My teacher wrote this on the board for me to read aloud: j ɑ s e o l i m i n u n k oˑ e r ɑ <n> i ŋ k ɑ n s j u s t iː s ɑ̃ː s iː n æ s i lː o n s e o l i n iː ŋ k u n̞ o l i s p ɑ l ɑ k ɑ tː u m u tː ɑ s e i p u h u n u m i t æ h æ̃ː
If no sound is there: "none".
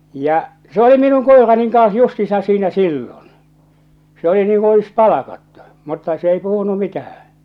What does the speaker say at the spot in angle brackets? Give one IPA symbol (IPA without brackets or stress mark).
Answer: n